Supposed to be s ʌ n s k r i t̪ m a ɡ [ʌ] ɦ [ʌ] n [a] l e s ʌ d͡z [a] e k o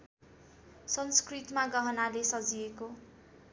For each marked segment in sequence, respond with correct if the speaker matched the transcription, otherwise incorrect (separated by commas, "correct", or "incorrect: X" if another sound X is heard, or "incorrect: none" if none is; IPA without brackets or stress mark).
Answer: correct, correct, correct, incorrect: i